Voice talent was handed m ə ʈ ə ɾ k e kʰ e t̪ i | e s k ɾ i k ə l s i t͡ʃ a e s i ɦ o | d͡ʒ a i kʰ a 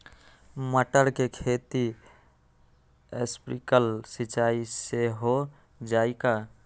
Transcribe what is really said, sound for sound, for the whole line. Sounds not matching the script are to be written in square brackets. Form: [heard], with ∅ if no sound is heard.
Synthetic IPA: m ə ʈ ə ɾ k e kʰ e t̪ i | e s [p] ɾ i k ə l s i t͡ʃ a [i] s [e] ɦ o | d͡ʒ a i [k] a

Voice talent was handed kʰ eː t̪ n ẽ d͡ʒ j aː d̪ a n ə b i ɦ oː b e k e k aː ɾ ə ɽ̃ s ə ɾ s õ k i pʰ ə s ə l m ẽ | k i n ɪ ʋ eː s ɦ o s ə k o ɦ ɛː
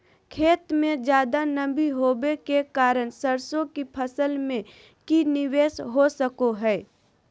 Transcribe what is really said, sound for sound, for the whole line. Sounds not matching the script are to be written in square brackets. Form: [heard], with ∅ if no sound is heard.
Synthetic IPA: kʰ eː t̪ [m] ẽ d͡ʒ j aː d̪ a n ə b i ɦ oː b e k e k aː ɾ ə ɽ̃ s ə ɾ s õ k i pʰ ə s ə l m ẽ | k i n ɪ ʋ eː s ɦ o s ə k o ɦ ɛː

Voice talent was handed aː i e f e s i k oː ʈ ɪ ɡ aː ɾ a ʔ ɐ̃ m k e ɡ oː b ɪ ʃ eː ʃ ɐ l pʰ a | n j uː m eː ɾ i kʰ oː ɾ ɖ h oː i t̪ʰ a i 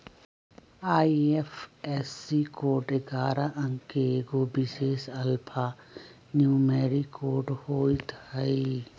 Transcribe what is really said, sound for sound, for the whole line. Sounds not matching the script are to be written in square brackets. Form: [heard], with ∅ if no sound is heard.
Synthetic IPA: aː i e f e s i k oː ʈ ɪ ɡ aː ɾ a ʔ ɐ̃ [ŋ] k e ɡ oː b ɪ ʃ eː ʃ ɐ l pʰ a | n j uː m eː ɾ i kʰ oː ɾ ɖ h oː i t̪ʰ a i

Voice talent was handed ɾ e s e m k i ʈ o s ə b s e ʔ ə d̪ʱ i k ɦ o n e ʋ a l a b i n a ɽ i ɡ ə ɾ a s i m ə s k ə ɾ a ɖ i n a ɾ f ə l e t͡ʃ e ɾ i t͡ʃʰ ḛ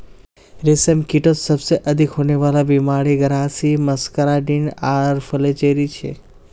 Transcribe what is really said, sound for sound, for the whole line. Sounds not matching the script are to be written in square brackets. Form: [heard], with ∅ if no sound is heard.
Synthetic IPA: ɾ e s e m k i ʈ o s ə b s e ʔ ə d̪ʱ i k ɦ o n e ʋ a l a b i [m] a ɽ i ɡ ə ɾ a s i m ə s k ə ɾ a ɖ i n a ɾ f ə l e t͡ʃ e ɾ i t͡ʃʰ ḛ

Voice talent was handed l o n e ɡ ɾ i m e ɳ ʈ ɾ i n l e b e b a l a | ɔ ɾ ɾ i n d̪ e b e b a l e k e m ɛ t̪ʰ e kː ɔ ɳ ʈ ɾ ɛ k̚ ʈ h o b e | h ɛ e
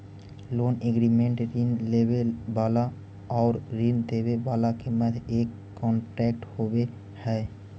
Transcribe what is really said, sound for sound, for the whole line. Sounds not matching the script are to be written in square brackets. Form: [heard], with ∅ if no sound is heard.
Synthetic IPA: l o n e ɡ ɾ i m e ɳ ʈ ɾ i n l e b e b a l a | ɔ ɾ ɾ i n d̪ e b e b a l [a] k e m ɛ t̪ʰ e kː ɔ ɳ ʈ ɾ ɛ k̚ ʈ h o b e | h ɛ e

